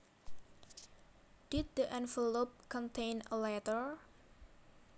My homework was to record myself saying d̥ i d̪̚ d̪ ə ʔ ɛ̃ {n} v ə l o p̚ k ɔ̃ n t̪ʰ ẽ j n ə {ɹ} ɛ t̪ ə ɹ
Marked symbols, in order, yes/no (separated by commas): yes, no